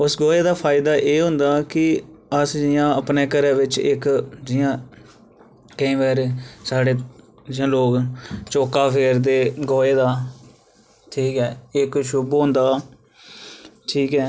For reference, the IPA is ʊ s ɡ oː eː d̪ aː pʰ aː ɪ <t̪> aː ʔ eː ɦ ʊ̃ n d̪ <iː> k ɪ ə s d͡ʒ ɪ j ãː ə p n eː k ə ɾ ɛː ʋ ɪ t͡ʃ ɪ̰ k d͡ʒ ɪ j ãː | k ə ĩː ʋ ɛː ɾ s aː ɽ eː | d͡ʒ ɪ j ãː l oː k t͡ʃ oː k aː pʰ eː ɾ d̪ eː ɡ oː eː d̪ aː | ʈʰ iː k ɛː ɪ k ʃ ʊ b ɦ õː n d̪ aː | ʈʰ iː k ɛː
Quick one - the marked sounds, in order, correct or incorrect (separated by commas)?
incorrect, incorrect